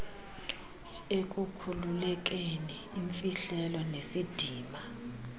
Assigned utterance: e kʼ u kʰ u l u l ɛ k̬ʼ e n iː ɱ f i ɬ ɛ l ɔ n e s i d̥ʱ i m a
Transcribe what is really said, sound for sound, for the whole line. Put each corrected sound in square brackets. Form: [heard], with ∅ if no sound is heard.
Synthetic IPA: e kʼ u kʰ u l u l ɛ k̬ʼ e n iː ɱ f i ɬ ɛ l ɔ n e s i d̥ʱ [iː] m a

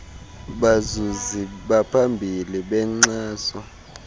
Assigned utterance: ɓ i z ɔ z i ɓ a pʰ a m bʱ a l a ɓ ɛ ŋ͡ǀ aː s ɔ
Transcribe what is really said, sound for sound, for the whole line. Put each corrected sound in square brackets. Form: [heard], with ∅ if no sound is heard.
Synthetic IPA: ɓ [a] z [u] z i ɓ a pʰ a m bʱ [i] l [i] ɓ ɛ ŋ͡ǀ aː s ɔ

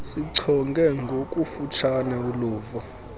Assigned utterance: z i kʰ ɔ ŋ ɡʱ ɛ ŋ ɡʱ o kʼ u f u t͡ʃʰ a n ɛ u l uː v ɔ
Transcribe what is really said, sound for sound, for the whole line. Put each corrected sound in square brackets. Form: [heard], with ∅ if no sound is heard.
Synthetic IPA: [s] i [ǀʰ] ɔ ŋ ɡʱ ɛ ŋ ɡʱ o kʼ u f u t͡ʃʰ a n ɛ u l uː v ɔ

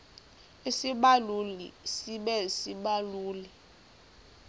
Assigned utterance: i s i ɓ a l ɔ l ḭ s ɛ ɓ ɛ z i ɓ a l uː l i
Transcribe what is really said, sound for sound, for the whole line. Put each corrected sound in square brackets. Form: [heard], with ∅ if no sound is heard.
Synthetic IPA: i s i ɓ a l [u] l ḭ s [i] ɓ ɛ [s] i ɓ a l uː l i

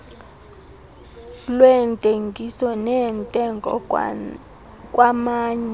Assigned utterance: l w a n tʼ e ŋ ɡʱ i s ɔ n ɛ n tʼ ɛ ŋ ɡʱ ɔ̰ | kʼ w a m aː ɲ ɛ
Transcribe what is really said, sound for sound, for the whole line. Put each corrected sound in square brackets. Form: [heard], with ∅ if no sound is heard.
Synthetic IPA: l w [ɛ] n tʼ e ŋ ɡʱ i s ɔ n ɛ n tʼ ɛ ŋ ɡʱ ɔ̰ | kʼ w a m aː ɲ ɛ

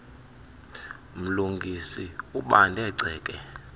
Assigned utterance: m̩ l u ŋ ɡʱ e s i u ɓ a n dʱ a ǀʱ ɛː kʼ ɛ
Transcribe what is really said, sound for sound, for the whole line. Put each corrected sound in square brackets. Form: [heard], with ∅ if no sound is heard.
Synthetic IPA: m̩ l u ŋ ɡʱ [i] s i u ɓ a n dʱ [ɛ] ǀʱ ɛː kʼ ɛ

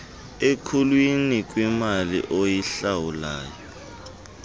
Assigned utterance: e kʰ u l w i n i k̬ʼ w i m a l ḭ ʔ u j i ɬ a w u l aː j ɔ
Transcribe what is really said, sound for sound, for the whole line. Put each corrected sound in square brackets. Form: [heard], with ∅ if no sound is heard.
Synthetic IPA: e kʰ u l w i n i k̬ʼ w i m a l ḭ ʔ [o] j i ɬ a w u l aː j ɔ

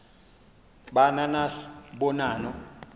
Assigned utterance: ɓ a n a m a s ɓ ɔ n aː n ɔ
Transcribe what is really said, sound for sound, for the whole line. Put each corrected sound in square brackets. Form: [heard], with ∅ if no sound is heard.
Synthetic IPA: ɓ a n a [n] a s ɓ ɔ n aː n ɔ

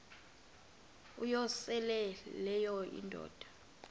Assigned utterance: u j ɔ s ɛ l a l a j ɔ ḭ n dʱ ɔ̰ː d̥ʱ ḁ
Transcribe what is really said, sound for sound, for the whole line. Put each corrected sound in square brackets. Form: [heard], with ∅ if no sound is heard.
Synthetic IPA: u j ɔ s ɛ l [ɛ] l [ɛ] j ɔ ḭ n dʱ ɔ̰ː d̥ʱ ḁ

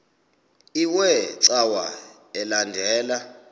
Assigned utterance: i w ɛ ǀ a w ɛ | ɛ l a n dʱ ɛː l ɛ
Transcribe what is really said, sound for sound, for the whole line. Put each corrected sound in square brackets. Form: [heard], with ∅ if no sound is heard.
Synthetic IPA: i w ɛ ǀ a w [a] | ɛ l a n dʱ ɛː l [a]

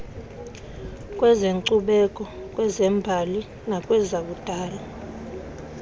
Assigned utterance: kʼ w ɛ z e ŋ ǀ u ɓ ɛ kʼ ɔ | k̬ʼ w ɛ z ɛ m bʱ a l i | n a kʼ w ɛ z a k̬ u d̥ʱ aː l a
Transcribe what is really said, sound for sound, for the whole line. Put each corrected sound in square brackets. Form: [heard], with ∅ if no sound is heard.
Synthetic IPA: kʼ w ɛ z e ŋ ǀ u ɓ ɛ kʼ ɔ | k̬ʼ w ɛ z ɛ m bʱ a l i | n a kʼ w ɛ z a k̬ u d̥ʱ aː l a

